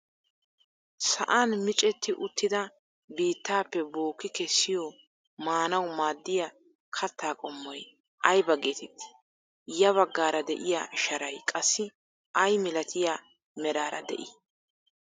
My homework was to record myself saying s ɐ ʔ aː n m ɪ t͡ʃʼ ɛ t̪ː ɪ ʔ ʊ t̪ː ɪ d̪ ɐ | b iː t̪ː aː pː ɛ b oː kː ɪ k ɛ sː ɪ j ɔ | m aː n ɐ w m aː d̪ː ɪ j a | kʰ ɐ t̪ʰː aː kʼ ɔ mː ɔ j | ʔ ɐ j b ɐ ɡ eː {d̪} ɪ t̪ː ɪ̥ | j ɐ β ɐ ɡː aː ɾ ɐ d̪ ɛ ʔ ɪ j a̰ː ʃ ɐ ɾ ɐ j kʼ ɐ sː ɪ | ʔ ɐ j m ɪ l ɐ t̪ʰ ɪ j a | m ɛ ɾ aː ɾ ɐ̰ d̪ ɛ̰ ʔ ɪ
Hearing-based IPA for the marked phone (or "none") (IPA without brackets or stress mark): t̪